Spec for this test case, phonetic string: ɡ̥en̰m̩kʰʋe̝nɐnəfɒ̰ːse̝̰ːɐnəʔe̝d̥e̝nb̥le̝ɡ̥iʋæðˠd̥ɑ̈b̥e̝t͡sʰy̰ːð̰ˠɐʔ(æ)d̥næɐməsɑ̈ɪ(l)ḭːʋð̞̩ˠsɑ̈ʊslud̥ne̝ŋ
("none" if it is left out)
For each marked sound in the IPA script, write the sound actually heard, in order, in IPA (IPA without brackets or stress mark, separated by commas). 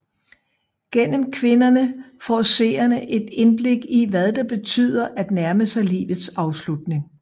æ, l